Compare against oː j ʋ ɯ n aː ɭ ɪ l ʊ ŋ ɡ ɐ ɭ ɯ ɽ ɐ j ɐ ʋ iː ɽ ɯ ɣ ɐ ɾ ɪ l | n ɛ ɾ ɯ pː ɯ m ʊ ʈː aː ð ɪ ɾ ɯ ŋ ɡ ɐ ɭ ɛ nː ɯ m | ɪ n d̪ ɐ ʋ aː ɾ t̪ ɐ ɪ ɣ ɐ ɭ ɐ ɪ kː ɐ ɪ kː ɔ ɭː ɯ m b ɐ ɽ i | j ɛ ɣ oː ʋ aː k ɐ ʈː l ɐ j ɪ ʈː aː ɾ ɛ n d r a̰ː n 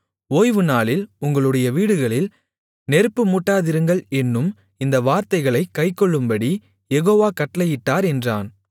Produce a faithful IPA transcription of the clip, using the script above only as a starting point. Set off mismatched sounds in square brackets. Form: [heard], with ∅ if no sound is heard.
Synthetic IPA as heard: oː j ʋ ɯ n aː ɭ ɪ l ʊ ŋ ɡ ɐ ɭ ɯ ɽ ɐ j ɐ ʋ iː ɽ ɯ ɣ ɐ [ɭ] ɪ l | n ɛ ɾ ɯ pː ɯ m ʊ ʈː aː ð ɪ ɾ ɯ ŋ ɡ ɐ ɭ ɛ nː ɯ m | ɪ n d̪ ɐ ʋ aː ɾ t̪ ɐ ɪ ɣ ɐ ɭ ɐ ɪ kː ɐ ɪ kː ɔ ɭː ɯ m b ɐ ɽ i | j ɛ ɣ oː ʋ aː k ɐ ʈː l ɐ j ɪ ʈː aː ɾ ɛ n d r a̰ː n